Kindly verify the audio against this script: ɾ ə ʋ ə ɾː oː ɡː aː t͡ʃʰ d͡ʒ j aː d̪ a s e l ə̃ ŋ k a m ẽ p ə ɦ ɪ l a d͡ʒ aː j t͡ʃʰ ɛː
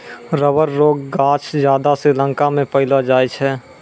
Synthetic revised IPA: ɾ ə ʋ ə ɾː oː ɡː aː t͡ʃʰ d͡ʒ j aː d̪ a s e l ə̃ ŋ k a m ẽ p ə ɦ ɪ l a d͡ʒ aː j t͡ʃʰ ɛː